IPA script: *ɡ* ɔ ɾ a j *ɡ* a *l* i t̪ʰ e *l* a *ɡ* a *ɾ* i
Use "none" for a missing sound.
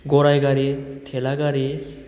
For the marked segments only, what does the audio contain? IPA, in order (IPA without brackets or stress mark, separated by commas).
ɡ, ɡ, ɾ, l, ɡ, ɾ